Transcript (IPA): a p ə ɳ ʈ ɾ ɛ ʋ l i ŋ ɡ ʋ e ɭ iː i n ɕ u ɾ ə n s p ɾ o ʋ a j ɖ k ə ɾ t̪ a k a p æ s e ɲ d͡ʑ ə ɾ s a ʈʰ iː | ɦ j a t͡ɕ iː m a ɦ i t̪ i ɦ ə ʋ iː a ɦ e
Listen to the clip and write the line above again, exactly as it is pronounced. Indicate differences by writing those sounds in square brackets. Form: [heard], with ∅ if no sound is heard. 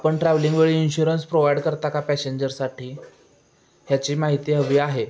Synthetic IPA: a p ə ɳ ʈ ɾ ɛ ʋ l i ŋ ɡ ʋ e ɭ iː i n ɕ u ɾ ə n s p ɾ o ʋ a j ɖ k ə ɾ t̪ a k a p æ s e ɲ d͡ʑ ə ɾ s a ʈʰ iː | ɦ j a t͡ɕ iː m a ɦ i t̪ i ɦ ə ʋ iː a ɦ e